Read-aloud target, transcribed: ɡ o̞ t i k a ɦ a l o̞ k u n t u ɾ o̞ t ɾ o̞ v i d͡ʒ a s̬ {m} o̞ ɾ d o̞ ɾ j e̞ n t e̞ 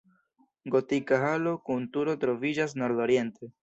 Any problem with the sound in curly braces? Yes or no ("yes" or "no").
yes